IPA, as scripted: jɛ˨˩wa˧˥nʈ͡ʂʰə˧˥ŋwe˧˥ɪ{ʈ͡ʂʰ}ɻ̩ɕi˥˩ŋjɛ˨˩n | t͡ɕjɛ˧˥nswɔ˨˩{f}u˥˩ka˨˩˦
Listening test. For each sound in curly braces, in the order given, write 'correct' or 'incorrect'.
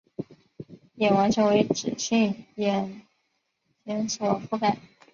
incorrect: ʈ͡ʂ, correct

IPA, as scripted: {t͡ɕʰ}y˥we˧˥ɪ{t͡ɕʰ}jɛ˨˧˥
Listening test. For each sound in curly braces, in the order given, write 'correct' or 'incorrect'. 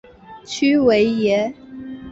correct, incorrect: none

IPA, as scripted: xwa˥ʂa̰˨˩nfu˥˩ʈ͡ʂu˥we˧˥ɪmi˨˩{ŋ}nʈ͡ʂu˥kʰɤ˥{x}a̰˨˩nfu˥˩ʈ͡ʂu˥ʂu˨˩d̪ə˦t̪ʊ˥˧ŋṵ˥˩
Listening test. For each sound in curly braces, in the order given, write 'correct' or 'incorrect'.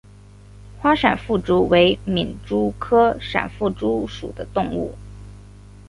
incorrect: none, incorrect: ʂ

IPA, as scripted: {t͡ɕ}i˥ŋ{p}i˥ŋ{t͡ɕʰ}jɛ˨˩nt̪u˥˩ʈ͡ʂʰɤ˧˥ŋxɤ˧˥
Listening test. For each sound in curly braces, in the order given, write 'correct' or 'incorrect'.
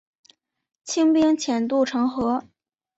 incorrect: t͡ɕʰ, correct, correct

